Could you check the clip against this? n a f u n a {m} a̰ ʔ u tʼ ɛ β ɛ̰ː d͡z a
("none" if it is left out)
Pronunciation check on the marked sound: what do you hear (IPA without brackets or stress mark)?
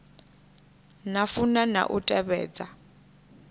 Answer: n